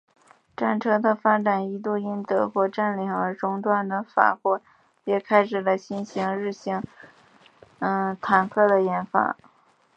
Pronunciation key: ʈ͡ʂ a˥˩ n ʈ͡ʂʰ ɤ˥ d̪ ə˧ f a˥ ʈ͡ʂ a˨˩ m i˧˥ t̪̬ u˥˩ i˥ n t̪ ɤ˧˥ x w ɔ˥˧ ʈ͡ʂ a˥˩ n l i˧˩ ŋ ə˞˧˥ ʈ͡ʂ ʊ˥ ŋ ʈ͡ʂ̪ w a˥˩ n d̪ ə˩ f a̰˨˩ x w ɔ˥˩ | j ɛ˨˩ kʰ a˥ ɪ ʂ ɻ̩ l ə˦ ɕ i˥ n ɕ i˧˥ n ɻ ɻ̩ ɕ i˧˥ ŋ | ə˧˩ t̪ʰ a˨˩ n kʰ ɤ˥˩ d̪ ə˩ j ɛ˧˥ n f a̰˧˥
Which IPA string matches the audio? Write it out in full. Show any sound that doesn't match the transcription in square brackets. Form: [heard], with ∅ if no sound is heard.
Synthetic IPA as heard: ʈ͡ʂ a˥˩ n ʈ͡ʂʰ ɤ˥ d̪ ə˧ f a˥ ʈ͡ʂ a˨˩ [n] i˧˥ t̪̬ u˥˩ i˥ n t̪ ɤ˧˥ x w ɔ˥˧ ʈ͡ʂ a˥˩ n l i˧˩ ŋ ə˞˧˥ ʈ͡ʂ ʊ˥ ŋ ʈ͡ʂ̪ w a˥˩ n d̪ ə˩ f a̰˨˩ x w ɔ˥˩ | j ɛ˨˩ kʰ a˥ ɪ ʂ ɻ̩ l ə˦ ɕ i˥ n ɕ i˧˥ [ŋ] ɻ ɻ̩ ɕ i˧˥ ŋ | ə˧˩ t̪ʰ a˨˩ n kʰ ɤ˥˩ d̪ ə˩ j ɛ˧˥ n f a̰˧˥